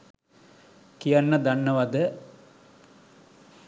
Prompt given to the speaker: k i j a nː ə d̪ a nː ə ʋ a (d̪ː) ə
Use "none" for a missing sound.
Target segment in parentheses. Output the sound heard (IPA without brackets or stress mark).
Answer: d̪